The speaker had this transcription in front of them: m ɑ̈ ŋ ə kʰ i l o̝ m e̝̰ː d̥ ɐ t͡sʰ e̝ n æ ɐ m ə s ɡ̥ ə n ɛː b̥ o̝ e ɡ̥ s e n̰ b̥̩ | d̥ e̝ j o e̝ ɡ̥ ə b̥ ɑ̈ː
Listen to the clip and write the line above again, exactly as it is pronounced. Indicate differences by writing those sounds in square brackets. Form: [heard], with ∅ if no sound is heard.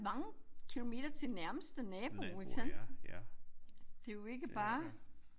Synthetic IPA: m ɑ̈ ŋ ə kʰ i l o̝ m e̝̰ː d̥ ɐ t͡sʰ e̝ n æ ɐ m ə s [d̥] ə n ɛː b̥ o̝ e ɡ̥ s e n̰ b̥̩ | d̥ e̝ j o e̝ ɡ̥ ə b̥ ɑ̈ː